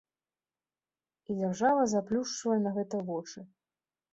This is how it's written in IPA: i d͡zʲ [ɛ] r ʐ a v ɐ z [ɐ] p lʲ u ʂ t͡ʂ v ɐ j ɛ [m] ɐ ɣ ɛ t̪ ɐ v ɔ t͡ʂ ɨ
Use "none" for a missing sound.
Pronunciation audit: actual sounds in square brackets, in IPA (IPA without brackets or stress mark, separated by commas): a, a, n